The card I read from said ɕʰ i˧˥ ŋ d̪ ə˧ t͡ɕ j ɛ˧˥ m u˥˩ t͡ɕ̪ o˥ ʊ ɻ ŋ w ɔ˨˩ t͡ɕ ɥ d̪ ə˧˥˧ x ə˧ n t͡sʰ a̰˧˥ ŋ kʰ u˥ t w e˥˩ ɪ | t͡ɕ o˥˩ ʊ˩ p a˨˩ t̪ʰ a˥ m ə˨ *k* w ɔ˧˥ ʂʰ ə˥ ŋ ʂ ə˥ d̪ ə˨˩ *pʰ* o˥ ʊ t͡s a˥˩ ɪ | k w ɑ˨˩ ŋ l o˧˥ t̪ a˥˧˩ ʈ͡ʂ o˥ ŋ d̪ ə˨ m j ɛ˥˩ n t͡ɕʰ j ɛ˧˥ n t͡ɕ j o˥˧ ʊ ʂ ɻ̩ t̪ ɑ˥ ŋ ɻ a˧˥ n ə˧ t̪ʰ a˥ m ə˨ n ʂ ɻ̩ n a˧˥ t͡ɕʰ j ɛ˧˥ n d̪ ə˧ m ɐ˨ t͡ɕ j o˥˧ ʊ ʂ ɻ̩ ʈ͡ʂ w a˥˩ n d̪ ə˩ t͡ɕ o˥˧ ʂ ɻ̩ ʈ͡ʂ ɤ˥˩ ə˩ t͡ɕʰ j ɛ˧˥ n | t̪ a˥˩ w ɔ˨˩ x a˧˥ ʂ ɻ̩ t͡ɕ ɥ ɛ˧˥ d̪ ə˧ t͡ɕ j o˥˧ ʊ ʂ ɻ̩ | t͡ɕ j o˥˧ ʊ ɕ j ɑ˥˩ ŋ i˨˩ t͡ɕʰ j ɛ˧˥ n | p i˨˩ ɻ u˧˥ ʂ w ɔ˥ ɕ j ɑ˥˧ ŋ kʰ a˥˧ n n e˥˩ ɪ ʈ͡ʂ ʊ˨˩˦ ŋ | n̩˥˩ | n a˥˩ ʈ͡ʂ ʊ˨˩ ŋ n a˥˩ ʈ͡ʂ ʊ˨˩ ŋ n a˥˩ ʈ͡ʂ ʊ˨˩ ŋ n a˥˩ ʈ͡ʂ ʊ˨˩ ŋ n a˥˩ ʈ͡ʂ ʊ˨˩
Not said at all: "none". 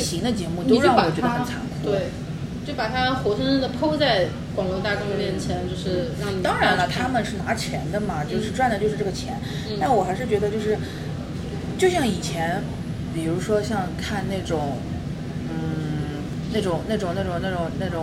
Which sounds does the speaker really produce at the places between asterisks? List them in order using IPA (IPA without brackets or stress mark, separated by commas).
x, pʰ